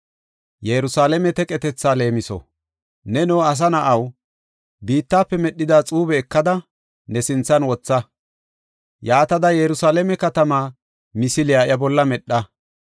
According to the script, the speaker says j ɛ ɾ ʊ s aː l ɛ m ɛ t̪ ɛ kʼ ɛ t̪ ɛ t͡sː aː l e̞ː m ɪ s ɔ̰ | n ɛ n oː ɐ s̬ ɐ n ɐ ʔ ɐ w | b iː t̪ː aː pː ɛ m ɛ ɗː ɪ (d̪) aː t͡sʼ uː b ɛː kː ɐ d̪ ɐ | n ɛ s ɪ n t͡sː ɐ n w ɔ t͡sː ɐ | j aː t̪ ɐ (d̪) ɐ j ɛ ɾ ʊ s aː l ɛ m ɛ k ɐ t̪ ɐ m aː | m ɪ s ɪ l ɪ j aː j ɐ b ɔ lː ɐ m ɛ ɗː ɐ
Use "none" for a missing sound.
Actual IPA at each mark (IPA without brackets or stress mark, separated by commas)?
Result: d̪, d̪